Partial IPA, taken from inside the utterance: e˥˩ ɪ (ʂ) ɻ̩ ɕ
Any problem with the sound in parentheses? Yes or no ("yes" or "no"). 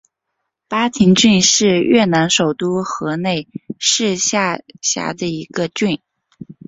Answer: no